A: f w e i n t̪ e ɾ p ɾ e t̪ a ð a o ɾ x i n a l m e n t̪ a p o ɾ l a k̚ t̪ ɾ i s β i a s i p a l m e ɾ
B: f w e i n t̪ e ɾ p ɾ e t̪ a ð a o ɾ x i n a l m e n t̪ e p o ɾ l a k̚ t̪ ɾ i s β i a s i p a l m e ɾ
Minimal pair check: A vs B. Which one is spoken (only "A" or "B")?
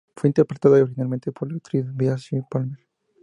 B